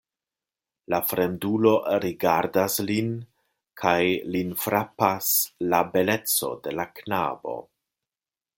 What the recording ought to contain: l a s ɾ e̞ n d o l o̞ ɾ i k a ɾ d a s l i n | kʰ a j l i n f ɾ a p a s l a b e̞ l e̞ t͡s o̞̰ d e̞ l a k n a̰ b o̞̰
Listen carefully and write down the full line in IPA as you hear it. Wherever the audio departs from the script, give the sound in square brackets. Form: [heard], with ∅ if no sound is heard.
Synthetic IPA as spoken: l a [f] ɾ e̞ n d [u] l o̞ ɾ i [ɡ] a ɾ d a s l i n | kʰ a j l i n f ɾ a p a s l a b e̞ l e̞ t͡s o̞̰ d e̞ l a k n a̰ b o̞̰